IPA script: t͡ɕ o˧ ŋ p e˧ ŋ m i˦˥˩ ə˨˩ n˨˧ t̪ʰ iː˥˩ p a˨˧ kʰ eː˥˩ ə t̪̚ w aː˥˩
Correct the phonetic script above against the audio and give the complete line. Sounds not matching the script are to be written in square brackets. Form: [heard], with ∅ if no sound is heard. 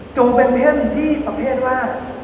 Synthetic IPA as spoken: t͡ɕ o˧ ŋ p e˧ [n] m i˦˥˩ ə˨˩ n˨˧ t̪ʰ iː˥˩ p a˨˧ [pʰ] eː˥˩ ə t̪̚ w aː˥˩